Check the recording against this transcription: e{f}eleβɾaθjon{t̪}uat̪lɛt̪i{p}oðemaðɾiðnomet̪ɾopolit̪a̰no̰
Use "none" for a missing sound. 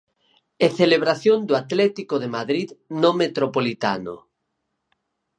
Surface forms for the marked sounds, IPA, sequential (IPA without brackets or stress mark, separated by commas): θ, d̪, k